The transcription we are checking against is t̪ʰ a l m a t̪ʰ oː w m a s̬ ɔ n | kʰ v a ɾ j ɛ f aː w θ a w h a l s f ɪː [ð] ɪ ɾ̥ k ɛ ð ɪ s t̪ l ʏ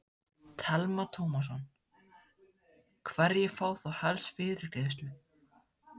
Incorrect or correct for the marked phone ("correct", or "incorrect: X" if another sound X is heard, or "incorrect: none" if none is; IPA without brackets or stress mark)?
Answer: correct